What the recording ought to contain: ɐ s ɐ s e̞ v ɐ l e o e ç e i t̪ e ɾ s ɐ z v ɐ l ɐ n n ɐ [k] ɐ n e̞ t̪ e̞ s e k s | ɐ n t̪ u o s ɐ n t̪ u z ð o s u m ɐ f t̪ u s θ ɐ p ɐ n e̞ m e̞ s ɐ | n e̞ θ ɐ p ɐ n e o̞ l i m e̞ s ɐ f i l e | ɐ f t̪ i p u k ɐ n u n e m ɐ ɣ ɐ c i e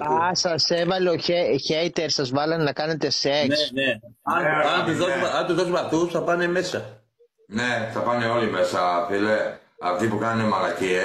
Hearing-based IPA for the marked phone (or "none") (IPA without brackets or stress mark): k